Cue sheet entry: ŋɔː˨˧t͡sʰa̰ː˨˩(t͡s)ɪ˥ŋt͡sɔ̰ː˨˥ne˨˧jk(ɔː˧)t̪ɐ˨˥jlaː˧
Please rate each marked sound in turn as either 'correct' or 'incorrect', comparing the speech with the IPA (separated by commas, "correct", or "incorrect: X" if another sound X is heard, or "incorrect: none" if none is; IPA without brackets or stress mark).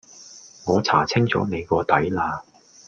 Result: incorrect: t͡sʰ, correct